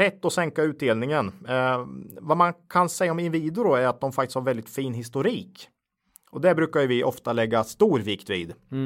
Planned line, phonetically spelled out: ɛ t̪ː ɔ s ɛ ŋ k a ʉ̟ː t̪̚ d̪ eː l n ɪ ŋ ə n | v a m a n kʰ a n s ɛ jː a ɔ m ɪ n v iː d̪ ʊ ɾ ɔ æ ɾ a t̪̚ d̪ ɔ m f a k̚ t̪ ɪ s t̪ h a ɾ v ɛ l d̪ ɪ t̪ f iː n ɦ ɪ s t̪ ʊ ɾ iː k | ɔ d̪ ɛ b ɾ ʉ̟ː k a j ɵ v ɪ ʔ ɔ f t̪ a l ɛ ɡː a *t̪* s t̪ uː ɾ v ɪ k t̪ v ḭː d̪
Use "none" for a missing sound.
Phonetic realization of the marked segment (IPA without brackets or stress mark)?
none